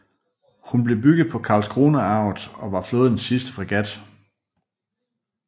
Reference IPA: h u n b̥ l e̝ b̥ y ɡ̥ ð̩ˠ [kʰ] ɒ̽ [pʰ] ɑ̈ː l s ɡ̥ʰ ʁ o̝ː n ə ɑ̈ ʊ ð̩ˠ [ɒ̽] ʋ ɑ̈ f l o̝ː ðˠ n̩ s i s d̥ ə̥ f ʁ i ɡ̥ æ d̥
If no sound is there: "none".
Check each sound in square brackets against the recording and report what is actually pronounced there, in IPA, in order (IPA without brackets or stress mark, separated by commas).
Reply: pʰ, kʰ, ɒ̽